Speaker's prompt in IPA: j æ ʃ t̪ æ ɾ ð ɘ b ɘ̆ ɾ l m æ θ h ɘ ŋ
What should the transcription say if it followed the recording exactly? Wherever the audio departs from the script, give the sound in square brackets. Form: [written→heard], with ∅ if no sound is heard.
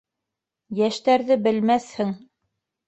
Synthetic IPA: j æ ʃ t̪ æ ɾ ð ɘ b ɘ̆ [ɾ→∅] l m æ θ h ɘ ŋ